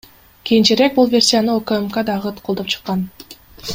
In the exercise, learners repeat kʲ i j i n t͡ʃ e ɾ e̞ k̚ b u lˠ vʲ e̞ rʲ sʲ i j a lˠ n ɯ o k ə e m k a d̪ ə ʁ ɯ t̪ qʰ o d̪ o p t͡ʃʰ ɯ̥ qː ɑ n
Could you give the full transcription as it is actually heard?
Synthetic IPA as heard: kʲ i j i n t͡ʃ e ɾ e̞ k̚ b u lˠ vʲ e̞ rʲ sʲ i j a n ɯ o k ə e m k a d̪ ɑ ʁ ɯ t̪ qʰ o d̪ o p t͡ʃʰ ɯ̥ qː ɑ n